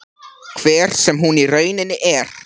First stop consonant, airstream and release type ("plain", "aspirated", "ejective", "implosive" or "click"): aspirated